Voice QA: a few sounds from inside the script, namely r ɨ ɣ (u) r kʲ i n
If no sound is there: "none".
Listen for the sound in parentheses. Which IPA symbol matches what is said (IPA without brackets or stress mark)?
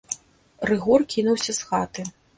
ɔ